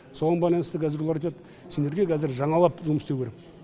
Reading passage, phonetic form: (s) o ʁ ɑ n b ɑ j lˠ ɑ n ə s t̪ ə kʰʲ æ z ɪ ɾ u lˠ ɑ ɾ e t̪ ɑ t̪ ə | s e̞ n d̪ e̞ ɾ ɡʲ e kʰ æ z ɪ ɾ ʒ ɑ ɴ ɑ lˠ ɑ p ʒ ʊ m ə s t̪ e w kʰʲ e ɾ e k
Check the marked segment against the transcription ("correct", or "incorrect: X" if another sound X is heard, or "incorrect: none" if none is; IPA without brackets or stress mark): correct